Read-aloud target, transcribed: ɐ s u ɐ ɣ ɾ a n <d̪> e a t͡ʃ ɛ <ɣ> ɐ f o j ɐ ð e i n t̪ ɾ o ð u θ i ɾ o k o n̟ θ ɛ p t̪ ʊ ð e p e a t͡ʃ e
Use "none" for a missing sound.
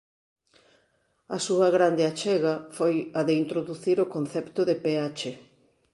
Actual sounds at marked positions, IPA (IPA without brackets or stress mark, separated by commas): d̪, ɣ